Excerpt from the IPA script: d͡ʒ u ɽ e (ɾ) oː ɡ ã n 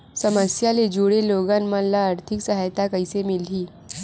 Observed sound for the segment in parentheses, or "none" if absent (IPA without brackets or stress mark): l